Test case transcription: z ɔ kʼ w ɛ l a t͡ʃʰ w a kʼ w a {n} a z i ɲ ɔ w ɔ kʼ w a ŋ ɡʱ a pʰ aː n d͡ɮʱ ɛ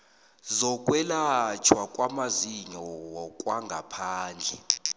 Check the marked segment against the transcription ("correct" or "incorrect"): incorrect